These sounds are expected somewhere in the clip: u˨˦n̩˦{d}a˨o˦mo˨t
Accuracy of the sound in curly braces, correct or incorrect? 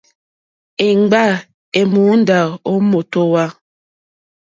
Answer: correct